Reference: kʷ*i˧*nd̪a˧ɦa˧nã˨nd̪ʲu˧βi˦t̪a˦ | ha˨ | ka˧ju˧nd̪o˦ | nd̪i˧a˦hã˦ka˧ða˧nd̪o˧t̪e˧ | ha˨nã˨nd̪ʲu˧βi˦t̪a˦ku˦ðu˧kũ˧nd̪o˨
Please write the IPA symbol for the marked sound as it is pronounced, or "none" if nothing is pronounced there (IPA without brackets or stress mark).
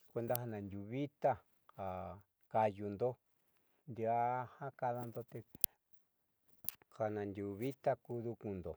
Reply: e˧